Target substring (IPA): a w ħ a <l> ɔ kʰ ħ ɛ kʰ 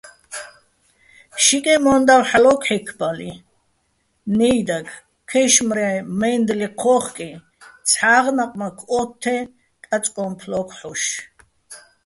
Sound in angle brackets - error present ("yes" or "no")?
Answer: no